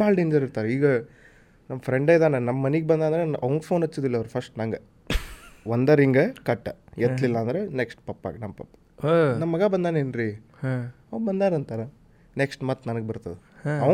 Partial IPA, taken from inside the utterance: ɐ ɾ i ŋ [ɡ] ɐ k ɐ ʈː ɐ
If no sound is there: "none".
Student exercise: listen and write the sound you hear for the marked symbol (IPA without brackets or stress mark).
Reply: ɡ